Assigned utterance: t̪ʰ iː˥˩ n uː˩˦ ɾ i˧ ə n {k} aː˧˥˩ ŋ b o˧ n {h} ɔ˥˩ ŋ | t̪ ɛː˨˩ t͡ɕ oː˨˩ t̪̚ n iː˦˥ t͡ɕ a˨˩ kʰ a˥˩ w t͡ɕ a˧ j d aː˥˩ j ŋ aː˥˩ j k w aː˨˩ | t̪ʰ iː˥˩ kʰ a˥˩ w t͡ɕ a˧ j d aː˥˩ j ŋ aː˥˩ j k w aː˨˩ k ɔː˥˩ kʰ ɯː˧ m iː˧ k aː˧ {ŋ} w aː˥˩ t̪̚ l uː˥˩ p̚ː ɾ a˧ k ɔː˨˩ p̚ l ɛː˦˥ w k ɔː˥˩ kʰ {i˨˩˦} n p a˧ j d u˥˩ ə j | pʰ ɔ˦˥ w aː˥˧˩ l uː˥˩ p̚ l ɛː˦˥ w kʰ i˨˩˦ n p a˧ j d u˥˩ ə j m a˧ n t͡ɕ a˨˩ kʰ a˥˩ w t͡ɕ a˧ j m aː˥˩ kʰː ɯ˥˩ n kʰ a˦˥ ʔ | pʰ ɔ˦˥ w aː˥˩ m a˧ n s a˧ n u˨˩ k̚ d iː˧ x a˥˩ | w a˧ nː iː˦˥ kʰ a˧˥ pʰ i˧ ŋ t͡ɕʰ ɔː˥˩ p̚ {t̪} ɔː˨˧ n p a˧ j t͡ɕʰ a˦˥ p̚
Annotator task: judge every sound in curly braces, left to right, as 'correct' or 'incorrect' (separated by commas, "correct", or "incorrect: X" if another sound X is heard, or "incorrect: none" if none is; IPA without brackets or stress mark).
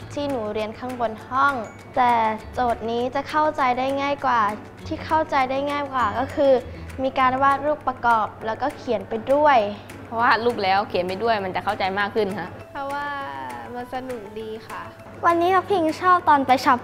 incorrect: kʰ, correct, incorrect: n, correct, correct